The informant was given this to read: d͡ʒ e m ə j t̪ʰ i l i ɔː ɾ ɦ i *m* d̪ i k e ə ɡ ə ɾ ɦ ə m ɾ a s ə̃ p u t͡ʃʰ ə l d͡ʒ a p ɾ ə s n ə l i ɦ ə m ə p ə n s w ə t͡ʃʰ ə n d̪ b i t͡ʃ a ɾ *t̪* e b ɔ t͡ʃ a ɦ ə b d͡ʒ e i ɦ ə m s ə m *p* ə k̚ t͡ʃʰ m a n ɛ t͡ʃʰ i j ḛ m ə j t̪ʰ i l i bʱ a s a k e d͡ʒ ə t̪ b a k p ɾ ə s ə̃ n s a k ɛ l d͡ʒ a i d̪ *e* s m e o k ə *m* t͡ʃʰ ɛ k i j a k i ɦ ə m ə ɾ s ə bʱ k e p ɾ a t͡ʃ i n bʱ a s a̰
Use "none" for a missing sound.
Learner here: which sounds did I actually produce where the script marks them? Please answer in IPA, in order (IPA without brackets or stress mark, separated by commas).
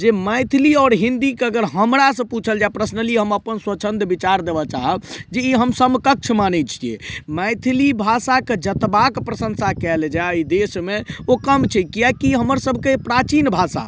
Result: n, d̪, k, e, m